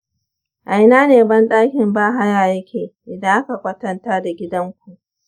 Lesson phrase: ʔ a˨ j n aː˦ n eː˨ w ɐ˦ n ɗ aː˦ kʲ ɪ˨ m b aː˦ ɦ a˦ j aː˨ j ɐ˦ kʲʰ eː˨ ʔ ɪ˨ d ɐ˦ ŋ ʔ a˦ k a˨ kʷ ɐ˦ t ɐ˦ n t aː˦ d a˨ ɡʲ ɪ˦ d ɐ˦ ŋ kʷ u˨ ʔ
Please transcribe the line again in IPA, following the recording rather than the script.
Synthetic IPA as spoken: ʔ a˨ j n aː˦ n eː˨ b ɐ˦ n ɗ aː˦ kʲ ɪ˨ m b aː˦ ɦ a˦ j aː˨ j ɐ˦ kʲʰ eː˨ ʔ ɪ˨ d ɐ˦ ŋ ʔ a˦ k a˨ kʷ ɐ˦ t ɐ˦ n t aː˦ d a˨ ɡʲ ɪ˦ d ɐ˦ ŋ kʷ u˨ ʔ

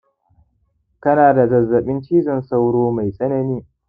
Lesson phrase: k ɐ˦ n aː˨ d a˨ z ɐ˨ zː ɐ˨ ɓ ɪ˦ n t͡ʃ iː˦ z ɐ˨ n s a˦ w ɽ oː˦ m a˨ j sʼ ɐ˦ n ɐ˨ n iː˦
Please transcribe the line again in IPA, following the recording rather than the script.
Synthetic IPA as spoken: k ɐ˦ n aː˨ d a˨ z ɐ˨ zː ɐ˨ ɓ ɪ˦ n t͡ʃ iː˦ z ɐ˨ n s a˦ w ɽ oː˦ m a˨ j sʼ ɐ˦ n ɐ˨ n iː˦

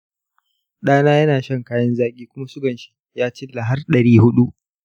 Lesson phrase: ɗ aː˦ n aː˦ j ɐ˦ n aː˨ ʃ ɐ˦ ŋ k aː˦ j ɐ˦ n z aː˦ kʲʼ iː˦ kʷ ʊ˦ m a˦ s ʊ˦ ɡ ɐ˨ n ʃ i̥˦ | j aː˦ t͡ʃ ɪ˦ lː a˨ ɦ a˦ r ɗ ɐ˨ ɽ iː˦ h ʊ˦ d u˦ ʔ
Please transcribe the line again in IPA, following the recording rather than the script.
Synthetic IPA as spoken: ɗ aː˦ n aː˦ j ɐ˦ n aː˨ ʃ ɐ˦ ŋ k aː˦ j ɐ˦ n z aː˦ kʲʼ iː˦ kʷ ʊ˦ m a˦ s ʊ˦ ɡ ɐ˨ n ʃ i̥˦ | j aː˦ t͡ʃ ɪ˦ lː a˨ ɦ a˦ r ɗ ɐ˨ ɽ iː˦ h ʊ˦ ɗ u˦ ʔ

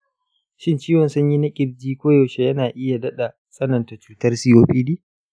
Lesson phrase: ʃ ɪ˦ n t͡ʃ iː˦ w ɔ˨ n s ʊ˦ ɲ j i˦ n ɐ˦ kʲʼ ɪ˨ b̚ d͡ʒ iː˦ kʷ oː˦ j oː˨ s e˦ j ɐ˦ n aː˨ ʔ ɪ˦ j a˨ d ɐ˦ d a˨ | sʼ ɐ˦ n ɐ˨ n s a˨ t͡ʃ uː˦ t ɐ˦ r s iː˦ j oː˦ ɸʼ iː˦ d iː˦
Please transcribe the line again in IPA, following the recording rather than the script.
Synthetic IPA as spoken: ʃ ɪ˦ n t͡ʃ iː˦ w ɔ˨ n s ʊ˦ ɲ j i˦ n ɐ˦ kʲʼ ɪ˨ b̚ d͡ʒ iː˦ kʷ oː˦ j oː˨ ʃ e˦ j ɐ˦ n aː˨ ʔ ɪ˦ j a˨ d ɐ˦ ɗ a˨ | sʼ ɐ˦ n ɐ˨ n t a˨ t͡ʃ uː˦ t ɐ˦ r s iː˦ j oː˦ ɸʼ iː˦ d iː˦

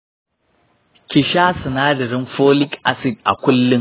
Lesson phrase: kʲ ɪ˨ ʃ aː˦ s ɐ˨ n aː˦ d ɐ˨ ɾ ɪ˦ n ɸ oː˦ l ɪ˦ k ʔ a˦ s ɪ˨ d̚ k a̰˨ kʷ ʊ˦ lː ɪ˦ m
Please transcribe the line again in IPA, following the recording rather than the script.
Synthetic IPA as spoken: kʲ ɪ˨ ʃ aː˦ s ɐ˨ n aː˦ d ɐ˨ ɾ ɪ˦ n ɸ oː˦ l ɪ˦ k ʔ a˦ s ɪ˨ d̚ ʔ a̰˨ kʷ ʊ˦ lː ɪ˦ ŋ

